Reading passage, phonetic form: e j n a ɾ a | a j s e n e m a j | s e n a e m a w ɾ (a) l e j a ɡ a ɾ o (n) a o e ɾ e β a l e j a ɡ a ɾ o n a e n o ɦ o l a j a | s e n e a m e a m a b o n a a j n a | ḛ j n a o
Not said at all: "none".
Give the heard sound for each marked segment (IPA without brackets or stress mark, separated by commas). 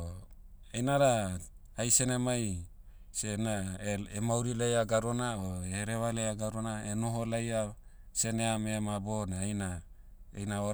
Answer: i, n